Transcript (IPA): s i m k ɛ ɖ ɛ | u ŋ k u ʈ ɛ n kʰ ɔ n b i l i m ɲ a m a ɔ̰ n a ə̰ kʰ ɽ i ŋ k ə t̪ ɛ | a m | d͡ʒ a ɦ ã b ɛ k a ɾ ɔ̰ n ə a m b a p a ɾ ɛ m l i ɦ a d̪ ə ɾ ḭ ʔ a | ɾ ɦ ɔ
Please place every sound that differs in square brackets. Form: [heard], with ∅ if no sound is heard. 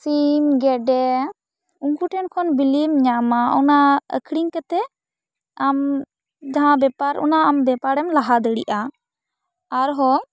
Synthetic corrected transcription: s i m [ɡ] ɛ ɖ ɛ | u ŋ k u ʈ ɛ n kʰ ɔ n b i l i m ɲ a m a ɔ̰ n a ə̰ kʰ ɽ i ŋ k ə t̪ ɛ | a m | d͡ʒ a ɦ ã b ɛ [p] a ɾ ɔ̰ n [a] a m b [ɛ] p a ɾ ɛ m l [a] ɦ a d̪ ə [ɽ] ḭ ʔ a | ɾ ɦ ɔ